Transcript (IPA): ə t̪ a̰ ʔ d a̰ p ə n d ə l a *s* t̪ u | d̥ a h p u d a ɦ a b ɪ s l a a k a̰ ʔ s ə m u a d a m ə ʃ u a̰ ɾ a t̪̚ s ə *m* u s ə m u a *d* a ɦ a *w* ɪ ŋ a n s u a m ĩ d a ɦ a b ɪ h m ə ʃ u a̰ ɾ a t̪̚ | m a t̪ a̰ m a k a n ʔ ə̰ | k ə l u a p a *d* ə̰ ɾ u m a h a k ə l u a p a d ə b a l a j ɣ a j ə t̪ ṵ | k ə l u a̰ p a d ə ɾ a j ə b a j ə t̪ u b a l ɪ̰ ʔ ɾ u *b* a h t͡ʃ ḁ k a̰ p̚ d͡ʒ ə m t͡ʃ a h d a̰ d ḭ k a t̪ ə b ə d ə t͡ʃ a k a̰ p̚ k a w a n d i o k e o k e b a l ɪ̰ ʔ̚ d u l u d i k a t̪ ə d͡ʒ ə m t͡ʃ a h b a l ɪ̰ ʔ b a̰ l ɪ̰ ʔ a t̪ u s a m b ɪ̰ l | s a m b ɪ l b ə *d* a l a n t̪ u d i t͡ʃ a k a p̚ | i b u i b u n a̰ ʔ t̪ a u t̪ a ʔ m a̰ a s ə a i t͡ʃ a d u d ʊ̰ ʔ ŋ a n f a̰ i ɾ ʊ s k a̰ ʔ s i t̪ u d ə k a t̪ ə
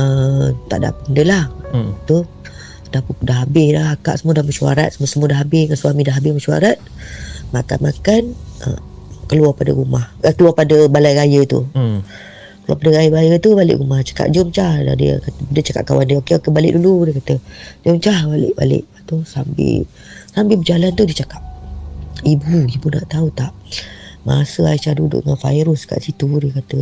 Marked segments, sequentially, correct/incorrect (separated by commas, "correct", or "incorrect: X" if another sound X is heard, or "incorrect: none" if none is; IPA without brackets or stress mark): incorrect: h, correct, correct, incorrect: b, correct, incorrect: m, incorrect: d͡ʒ